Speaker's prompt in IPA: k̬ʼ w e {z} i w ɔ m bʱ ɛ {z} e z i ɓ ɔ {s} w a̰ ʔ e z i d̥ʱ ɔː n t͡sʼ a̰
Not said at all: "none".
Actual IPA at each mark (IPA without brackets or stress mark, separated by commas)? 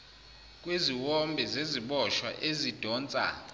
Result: z, z, ʃ